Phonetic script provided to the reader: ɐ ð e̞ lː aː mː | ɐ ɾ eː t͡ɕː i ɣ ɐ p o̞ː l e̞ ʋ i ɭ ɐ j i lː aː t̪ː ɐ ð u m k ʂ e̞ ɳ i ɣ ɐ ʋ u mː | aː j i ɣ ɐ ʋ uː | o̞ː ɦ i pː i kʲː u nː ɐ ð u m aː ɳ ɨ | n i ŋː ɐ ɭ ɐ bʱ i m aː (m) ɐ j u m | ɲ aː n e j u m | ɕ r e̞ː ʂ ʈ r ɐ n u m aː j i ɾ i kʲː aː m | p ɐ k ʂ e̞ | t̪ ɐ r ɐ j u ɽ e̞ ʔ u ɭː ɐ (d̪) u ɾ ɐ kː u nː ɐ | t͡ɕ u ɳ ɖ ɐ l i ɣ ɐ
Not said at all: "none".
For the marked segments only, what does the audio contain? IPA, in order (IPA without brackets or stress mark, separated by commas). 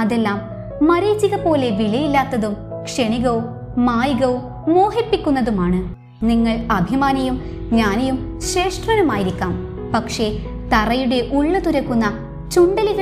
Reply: n, t̪